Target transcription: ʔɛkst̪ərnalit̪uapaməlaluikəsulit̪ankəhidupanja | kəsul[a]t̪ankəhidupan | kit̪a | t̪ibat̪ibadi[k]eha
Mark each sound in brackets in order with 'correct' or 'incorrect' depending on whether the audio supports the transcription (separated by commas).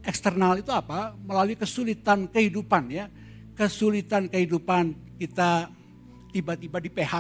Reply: incorrect, incorrect